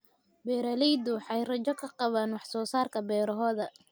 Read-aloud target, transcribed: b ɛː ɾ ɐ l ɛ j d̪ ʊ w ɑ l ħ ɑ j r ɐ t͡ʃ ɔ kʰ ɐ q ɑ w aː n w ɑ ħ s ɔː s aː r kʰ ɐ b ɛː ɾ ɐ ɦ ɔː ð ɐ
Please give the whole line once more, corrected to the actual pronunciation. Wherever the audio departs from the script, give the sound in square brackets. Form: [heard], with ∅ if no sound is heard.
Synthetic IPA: b ɛː ɾ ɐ l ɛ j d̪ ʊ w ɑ [∅] ħ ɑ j r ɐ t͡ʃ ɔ kʰ ɐ q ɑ [β] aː n w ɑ ħ s ɔː s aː r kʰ ɐ b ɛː ɾ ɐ ɦ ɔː ð ɐ